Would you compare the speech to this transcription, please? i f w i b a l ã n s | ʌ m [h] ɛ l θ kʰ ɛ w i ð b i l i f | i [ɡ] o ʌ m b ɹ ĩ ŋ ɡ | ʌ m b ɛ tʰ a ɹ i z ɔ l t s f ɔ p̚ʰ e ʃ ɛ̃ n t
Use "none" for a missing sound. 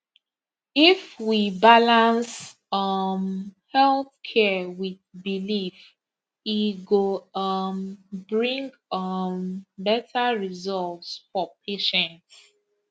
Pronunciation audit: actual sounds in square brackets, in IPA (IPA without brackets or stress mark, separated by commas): h, ɡ